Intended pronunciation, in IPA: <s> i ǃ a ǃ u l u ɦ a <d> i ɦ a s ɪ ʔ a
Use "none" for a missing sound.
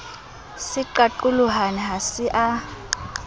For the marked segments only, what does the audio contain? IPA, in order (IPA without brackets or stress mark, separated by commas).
s, n